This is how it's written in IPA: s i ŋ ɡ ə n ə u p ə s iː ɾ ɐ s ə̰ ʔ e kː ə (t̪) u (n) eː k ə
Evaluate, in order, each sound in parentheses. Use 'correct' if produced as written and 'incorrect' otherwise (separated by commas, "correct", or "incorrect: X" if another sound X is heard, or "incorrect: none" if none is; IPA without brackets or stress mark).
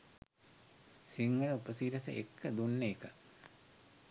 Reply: incorrect: d̪, incorrect: nː